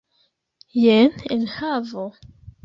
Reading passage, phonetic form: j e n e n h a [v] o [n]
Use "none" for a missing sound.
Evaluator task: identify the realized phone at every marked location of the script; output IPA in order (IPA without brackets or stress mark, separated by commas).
v, none